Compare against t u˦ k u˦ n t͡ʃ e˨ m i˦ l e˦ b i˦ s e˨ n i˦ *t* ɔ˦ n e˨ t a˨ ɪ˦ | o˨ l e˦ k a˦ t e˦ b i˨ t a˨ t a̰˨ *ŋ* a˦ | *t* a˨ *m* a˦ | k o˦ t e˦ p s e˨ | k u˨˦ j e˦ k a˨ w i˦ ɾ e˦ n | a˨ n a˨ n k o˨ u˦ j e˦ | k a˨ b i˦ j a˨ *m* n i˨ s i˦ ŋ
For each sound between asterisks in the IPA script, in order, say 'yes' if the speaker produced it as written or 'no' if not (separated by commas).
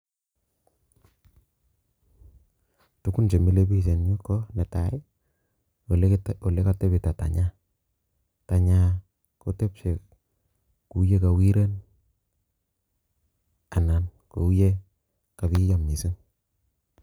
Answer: no, no, yes, no, yes